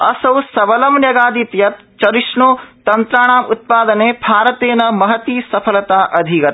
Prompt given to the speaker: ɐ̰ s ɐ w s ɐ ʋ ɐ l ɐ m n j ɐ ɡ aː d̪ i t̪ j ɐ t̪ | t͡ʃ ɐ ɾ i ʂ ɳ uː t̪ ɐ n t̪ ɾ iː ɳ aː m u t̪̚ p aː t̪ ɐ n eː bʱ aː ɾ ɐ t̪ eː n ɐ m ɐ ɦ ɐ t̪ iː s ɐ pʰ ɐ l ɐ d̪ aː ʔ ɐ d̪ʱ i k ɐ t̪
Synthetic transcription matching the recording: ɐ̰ s ɐ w s ɐ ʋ ɐ l ɐ m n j ɐ ɡ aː d̪ i t̪ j ɐ t̪ | t͡ʃ ɐ ɾ i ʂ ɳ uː t̪ ɐ n t̪ ɾ aː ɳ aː m u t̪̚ p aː d̪ ɐ n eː bʱ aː ɾ ɐ t̪ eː n ɐ m ɐ ɦ ɐ t̪ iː s ɐ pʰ ɐ l ɐ t̪ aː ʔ ɐ d̪ʱ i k ɐ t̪